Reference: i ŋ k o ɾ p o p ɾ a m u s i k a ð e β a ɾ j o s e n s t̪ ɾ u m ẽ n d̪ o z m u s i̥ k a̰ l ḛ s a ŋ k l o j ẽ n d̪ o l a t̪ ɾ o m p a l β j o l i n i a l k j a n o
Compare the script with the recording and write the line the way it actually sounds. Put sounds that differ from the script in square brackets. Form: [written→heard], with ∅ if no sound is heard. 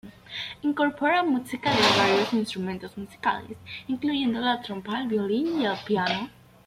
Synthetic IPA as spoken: i ŋ k o ɾ p o [p→∅] ɾ a m u s i k a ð e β a ɾ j o s [e→i] n s t̪ ɾ u m ẽ n [d̪→t̪] o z m u s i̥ k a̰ l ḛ s [a→i] ŋ k l [o→u] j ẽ n d̪ o l a t̪ ɾ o m p a l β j o l i n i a l [k→p] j a n o

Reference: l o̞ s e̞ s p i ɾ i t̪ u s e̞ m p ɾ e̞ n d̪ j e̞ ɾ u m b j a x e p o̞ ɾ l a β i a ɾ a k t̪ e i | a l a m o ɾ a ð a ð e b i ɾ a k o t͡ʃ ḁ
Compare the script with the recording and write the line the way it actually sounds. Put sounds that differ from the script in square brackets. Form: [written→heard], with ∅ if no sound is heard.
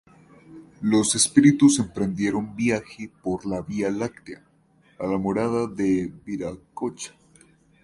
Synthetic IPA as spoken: l o̞ s e̞ s p i ɾ i t̪ u s e̞ m p ɾ e̞ n d̪ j e̞ ɾ [u→o] m b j a x e p o̞ ɾ l a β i a [ɾ→l] a k t̪ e [i→a] | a l a m o ɾ a ð a ð e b i ɾ a k o t͡ʃ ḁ

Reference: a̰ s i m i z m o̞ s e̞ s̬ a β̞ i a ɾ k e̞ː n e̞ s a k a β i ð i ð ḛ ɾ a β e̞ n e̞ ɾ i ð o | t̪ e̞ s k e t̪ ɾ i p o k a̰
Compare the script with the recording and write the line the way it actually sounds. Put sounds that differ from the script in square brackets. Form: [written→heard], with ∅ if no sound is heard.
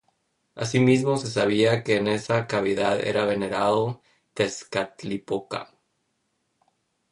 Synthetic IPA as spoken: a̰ s i m i z m o̞ s e̞ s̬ a β̞ i a [ɾ→∅] k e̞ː n e̞ s a k a β i ð [i→a] ð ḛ ɾ a β e̞ n e̞ ɾ [i→a] ð o | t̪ e̞ s k [e→a] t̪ [ɾ→l] i p o k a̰

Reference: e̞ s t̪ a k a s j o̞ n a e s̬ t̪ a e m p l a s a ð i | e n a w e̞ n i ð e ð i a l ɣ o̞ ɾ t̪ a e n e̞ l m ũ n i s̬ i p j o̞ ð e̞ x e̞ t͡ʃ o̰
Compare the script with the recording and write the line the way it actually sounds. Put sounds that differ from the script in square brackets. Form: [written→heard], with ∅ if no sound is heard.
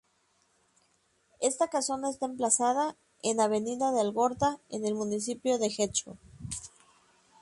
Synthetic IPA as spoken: e̞ s t̪ a k a s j o̞ n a e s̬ t̪ a e m p l a s a ð [i→a] | e n a [w→β] e̞ n i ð [e→a] ð [i→e] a l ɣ o̞ ɾ t̪ a e n e̞ l m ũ n i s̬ i p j o̞ ð e̞ x e̞ t͡ʃ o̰

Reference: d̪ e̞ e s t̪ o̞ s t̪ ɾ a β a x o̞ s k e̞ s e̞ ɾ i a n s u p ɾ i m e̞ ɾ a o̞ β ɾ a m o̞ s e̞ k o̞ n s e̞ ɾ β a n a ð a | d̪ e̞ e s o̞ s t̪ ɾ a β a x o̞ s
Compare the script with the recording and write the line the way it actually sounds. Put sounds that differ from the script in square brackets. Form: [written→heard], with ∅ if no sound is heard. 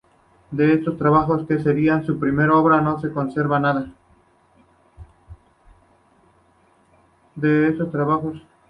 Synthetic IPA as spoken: d̪ e̞ e s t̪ o̞ s t̪ ɾ a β a x o̞ s k e̞ s e̞ ɾ i a n s u p ɾ i m e̞ ɾ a o̞ β ɾ a [m→n] o̞ s e̞ k o̞ n s e̞ ɾ β a n a ð a | d̪ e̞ e s o̞ s t̪ ɾ a β a x o̞ s

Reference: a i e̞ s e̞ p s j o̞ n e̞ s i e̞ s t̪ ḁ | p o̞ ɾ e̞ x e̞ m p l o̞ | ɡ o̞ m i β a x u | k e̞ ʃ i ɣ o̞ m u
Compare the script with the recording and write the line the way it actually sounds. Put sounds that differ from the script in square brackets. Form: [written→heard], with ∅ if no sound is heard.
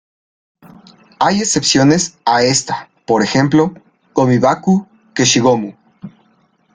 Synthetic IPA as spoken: a [i→j] e̞ s e̞ p s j o̞ n e̞ s [i→a] e̞ s t̪ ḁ | p o̞ ɾ e̞ x e̞ m p l o̞ | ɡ o̞ m i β a [x→k] u | k e̞ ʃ i ɣ o̞ m u

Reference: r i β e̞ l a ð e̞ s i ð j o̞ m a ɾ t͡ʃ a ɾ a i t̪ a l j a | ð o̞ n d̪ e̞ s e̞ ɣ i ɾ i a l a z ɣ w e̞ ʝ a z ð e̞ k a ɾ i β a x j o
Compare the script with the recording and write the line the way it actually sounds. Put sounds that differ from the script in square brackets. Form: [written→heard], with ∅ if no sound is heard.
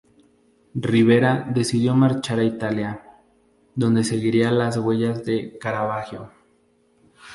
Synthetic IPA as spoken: r i β e̞ [l→ɾ] a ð e̞ s i ð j o̞ m a ɾ t͡ʃ a ɾ a i t̪ a l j a | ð o̞ n d̪ e̞ s e̞ ɣ i ɾ i a l a z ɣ w e̞ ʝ a z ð e̞ k a ɾ [i→a] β a x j o

